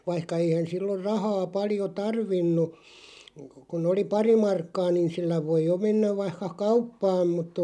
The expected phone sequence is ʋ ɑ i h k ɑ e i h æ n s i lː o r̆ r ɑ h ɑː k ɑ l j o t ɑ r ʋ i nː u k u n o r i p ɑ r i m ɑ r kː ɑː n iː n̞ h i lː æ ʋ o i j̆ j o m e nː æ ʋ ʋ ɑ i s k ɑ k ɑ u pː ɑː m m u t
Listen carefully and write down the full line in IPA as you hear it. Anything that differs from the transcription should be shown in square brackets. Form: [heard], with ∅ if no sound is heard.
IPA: ʋ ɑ i h k ɑ e i h æ n s i lː o r̆ r ɑ h ɑː [p] ɑ l j o t ɑ r ʋ i nː u k u n o [l] i p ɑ r i m ɑ r kː ɑː n iː n̞ [s] i lː æ ʋ o i j̆ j o m e nː æ ʋ ʋ ɑ i [h] k ɑ k ɑ u pː ɑː m m u t